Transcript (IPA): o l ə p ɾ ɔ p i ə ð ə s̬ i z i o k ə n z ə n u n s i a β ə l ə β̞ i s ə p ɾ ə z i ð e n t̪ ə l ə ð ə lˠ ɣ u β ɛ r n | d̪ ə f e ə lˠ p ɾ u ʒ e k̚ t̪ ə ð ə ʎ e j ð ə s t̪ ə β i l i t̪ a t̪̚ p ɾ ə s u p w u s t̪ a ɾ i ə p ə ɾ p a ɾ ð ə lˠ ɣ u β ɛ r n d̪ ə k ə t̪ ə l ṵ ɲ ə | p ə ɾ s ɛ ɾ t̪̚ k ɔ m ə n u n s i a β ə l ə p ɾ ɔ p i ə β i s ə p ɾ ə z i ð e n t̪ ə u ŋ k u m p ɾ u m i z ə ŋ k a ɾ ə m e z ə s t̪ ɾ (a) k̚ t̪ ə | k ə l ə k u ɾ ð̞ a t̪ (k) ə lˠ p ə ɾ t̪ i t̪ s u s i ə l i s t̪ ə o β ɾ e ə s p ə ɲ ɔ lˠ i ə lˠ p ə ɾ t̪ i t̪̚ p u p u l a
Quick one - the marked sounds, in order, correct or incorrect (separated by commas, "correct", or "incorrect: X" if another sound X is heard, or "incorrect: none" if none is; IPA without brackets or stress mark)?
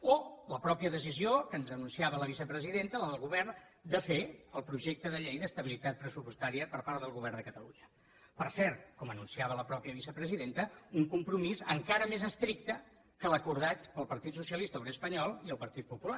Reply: incorrect: i, incorrect: p